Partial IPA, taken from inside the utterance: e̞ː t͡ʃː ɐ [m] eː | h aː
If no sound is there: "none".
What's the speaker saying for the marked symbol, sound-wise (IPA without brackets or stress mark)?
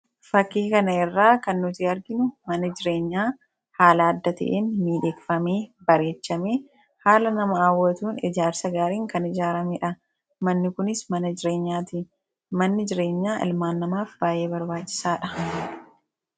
m